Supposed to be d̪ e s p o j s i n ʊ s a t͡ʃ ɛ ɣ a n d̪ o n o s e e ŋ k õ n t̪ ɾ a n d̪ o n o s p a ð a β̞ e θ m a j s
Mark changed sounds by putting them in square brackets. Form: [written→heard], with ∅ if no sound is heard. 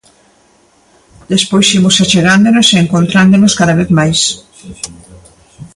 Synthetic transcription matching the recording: d̪ e s p o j s i [n→m] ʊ s a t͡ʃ [ɛ→e] ɣ a n d̪ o n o s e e ŋ k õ n t̪ ɾ a n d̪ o n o s [p→k] a ð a β̞ e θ m a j s

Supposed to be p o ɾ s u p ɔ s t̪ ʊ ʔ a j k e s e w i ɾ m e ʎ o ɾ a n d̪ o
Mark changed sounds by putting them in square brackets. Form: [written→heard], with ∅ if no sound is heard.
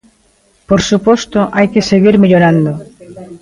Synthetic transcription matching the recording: p o ɾ s u p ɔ s t̪ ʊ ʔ a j k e s e [w→ɣ] i ɾ m e ʎ o ɾ a n d̪ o

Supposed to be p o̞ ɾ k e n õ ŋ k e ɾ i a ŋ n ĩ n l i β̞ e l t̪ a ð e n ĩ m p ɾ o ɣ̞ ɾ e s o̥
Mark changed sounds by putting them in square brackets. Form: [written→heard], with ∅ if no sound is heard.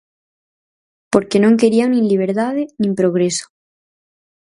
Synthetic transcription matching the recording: p o̞ ɾ k e n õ ŋ k e ɾ i a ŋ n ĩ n l i β̞ e [l→ɾ] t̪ a ð e n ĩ m p ɾ o ɣ̞ ɾ e s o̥

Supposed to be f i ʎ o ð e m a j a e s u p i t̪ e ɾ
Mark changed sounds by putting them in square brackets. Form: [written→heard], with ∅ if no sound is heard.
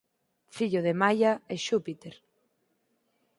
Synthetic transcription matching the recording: f i ʎ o ð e m a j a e [s→ʃ] u p i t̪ e ɾ

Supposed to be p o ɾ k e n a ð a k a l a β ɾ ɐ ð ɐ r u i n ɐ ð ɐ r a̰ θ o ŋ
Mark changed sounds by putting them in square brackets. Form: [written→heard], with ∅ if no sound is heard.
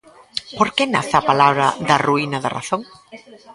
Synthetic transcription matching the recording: p o ɾ k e n a [ð→θ] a [k→p] a l a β ɾ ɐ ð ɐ r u i n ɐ ð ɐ r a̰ θ o ŋ

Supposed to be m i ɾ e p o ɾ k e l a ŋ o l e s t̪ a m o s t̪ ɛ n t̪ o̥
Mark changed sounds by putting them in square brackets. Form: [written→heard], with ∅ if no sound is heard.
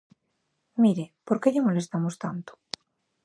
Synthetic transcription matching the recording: m i ɾ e p o ɾ k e [l→ʎ] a [ŋ→m] o l e s t̪ a m o s t̪ [ɛ→a] n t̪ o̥

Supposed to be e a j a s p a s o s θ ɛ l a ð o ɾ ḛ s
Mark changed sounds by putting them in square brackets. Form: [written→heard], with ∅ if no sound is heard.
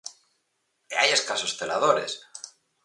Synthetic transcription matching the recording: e a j [a→e] s [p→k] a s o s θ [ɛ→e] l a ð o ɾ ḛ s

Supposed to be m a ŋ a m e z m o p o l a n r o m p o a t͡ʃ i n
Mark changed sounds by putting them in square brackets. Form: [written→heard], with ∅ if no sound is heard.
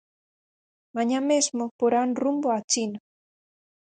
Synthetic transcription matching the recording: m a [ŋ→ɲ] a m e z m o p o [l→ɾ] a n r [o→u] m [p→b] o a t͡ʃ i n

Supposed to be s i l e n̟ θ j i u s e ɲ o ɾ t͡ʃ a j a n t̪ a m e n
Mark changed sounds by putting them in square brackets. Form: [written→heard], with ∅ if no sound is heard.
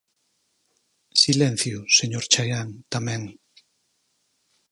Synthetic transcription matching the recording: s i l e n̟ θ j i u s e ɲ o ɾ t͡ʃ a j a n t̪ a m e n

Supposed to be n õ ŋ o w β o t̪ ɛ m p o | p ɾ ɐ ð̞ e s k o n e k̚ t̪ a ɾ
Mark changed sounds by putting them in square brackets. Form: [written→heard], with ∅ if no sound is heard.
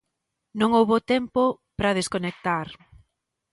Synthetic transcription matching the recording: n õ ŋ o w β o t̪ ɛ m p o | p ɾ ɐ ð̞ e s k o n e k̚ t̪ a ɾ

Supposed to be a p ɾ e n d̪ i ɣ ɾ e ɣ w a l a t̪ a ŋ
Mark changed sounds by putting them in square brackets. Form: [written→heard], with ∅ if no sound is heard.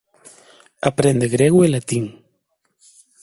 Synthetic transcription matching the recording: a p ɾ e n d̪ [i→e] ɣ ɾ e ɣ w [a→e] l a t̪ [a→i] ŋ

